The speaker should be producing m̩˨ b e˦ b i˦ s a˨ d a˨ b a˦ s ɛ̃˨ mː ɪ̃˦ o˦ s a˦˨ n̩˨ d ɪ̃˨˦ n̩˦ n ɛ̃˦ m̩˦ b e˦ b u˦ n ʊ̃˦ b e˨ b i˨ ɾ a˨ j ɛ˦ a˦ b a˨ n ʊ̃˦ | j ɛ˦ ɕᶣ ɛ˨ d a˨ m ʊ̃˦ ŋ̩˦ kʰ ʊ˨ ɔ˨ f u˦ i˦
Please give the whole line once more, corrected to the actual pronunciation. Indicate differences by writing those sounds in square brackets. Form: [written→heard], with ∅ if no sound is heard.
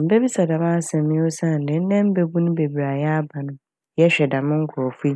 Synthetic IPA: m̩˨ b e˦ b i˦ s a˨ d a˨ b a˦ s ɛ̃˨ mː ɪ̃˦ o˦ s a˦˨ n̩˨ d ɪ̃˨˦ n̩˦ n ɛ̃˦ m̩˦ b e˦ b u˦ n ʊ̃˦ b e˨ b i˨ ɾ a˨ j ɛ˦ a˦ b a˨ n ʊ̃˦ | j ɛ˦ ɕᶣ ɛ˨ d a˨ m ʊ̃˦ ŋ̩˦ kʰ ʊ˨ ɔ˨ f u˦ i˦